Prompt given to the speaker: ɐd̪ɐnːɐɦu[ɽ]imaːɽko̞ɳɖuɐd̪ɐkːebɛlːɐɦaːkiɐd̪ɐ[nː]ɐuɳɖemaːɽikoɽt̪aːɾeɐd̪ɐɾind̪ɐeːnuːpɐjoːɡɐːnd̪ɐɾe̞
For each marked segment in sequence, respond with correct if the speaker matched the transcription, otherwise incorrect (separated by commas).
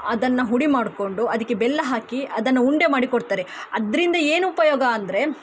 correct, correct